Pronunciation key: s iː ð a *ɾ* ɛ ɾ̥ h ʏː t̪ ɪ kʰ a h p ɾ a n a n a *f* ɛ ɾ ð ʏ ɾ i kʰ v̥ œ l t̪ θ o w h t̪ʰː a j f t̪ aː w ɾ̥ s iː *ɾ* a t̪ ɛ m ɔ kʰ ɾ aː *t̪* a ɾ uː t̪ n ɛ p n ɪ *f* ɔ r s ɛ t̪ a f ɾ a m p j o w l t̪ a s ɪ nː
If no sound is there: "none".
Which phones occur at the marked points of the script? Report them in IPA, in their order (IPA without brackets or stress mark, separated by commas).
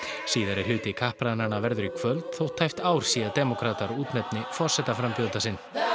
ɾ, v, none, t̪, f